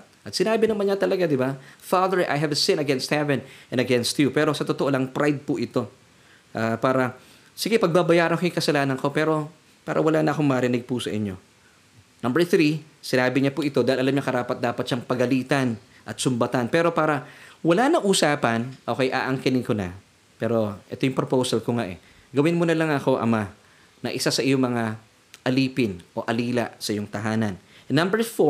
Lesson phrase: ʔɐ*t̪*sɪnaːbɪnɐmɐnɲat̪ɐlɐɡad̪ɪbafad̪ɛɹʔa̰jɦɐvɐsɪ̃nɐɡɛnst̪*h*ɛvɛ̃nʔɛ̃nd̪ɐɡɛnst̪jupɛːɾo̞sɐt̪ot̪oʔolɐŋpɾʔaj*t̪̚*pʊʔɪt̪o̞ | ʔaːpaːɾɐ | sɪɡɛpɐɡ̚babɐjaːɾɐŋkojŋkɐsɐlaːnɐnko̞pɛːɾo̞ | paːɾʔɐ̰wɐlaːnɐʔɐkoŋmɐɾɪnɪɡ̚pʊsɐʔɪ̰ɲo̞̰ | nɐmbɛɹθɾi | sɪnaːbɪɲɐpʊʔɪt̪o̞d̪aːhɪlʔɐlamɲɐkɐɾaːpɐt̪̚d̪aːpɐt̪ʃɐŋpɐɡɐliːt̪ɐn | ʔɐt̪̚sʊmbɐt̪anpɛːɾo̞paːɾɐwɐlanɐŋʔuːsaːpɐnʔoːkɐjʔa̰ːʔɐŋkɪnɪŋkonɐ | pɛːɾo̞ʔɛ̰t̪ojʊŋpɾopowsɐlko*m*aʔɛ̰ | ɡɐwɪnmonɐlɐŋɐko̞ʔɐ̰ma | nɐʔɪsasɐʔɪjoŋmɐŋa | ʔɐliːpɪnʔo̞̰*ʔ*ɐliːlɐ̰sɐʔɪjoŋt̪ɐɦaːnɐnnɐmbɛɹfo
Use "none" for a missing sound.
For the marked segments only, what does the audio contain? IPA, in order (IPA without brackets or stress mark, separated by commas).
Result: t̪, h, d̪̚, ŋ, ʔ